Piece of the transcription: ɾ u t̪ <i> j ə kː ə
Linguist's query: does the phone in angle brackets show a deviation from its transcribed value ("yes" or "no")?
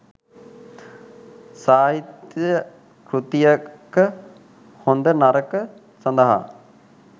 no